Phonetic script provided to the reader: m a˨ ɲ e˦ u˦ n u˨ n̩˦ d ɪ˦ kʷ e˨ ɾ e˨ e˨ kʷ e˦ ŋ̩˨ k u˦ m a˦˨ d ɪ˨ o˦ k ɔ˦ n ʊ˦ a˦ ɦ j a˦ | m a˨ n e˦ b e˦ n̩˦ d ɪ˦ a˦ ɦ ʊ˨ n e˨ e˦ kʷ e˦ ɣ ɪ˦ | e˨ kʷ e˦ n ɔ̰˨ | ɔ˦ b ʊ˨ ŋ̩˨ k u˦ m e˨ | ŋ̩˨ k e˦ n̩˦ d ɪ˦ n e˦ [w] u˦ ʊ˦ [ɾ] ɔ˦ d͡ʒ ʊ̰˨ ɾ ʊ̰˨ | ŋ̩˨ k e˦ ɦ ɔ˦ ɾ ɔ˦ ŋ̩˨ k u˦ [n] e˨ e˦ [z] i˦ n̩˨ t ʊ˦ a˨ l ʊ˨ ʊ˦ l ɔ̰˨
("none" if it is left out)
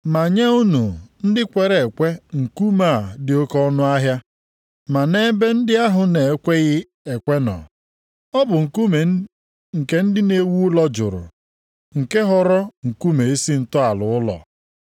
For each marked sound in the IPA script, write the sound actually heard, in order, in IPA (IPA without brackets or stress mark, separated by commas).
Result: w, l, m, s